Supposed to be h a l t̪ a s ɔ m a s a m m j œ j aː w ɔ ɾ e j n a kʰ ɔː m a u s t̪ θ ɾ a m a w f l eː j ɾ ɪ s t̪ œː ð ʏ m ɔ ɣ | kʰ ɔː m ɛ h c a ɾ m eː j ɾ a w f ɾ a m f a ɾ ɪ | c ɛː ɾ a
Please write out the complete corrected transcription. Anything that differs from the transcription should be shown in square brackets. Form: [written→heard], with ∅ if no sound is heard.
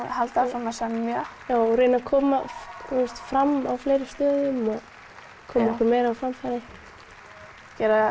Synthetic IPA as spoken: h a l t̪ a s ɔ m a s [a→ɛ] m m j œ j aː w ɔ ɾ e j n a kʰ ɔː m a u s t̪ [θ→f] ɾ a m a w f l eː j ɾ ɪ s t̪ œː ð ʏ m ɔ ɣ | kʰ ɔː m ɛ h [c→k] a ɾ m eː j ɾ a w f ɾ a m f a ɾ ɪ | c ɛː ɾ a

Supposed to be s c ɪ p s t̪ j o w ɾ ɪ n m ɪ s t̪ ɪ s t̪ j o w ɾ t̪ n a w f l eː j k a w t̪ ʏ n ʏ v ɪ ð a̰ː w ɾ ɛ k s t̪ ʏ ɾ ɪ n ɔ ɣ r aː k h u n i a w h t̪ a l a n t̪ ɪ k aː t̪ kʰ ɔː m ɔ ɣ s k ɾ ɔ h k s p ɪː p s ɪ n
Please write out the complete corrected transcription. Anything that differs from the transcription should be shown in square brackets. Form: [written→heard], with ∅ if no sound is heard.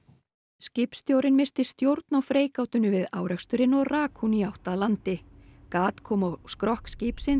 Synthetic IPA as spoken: s c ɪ p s t̪ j o w ɾ ɪ n m ɪ s t̪ ɪ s t̪ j o w ɾ t̪ n a w f [l→ɾ] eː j k a w t̪ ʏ n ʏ v ɪ ð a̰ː w ɾ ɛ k s t̪ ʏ ɾ ɪ n ɔ ɣ r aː k h u n i a w h t̪ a l a n t̪ ɪ k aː t̪ kʰ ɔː m ɔ ɣ s k ɾ ɔ h k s [p→c] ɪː p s ɪ n

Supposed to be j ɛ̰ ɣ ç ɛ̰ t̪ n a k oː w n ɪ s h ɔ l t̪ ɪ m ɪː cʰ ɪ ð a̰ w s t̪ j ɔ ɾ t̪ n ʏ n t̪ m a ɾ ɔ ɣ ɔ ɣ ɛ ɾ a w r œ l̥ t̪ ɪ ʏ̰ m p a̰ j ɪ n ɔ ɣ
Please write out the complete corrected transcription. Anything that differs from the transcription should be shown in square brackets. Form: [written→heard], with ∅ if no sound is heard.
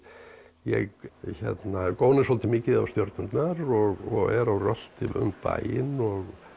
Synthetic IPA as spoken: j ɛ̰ ɣ ç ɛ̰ t̪ n a k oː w n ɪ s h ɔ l t̪ ɪ m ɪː [cʰ→c] ɪ ð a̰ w s t̪ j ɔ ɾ t̪ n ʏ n t̪ [m→n] a ɾ ɔ ɣ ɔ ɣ ɛ ɾ a w r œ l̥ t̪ ɪ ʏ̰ m p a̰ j ɪ n ɔ ɣ

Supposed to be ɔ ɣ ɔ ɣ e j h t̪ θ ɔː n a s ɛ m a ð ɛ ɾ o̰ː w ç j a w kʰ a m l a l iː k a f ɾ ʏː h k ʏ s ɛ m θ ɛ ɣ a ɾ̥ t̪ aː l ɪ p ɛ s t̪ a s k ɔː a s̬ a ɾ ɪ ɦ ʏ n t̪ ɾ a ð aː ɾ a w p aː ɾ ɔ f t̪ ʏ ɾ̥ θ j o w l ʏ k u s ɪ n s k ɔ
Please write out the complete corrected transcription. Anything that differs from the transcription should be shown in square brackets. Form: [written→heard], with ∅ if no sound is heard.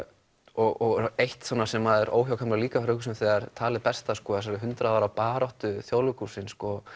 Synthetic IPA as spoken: ɔ ɣ ɔ ɣ e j h t̪ [θ→s] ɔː n a s ɛ m a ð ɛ ɾ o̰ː w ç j a w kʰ a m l a l iː k a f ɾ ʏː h k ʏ s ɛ m θ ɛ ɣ a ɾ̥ [t̪→t̪ʰ] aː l ɪ p ɛ s t̪ a s k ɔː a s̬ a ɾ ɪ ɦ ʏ n t̪ ɾ a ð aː ɾ a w p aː ɾ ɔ [f→h] t̪ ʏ [ɾ̥→∅] θ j o w l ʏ k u s ɪ n s k ɔ

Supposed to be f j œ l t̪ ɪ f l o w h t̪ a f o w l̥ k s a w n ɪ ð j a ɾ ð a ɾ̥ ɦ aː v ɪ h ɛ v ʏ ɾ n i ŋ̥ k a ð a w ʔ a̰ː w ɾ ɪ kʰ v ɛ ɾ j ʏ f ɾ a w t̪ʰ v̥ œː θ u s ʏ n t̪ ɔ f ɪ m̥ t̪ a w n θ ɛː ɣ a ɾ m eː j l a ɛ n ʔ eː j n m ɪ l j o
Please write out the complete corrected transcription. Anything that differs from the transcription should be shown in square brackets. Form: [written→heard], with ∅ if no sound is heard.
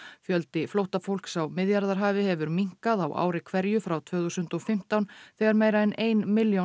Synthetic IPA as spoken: f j œ l t̪ ɪ f l o w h t̪ a f o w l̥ k s a w [n→m] ɪ ð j a ɾ ð a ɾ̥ ɦ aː v ɪ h ɛ v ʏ ɾ [n→m] i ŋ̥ k a ð a w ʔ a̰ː w ɾ ɪ kʰ v ɛ ɾ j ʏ f ɾ a w t̪ʰ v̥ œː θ u s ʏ n t̪ ɔ f ɪ m̥ t̪ a w n θ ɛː ɣ a ɾ m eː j [l→ɾ] a ɛ n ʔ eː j n m ɪ l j o

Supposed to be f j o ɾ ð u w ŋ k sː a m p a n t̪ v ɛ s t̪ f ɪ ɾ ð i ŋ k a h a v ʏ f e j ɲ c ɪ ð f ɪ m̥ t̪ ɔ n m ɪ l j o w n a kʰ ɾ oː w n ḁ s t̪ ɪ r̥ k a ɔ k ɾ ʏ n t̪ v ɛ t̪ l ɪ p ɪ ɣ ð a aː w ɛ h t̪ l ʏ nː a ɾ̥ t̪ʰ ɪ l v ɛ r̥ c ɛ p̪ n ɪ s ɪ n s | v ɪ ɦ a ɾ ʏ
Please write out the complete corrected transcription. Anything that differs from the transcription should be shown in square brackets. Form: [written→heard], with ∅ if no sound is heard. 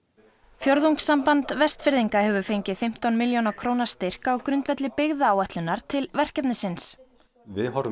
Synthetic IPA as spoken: f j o ɾ ð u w ŋ k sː a m p a n t̪ v ɛ s t̪ f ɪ ɾ ð i ŋ k a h [a→ɛ] v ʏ f e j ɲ c ɪ ð f ɪ m̥ t̪ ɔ n m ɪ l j o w n a kʰ ɾ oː w n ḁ s t̪ ɪ r̥ k a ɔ k ɾ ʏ n t̪ v ɛ t̪ l ɪ p ɪ ɣ ð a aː w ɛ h t̪ l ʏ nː a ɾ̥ t̪ʰ ɪ l v ɛ r̥ c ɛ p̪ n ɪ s ɪ n s | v ɪ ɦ a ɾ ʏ

